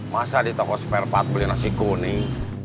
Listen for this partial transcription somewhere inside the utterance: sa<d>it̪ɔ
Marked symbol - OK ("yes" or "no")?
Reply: yes